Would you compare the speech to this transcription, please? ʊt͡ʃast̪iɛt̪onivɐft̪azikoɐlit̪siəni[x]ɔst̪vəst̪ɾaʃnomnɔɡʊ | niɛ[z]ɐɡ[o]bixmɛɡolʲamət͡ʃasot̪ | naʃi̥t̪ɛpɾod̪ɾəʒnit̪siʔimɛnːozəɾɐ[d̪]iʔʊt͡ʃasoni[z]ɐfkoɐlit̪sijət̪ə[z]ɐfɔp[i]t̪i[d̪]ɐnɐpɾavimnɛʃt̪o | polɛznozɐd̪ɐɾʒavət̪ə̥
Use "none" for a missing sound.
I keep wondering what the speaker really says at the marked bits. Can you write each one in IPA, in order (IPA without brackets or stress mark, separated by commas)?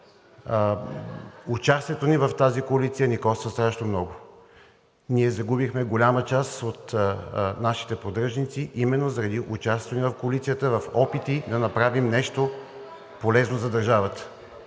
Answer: k, z, u, d̪, v, v, i, d̪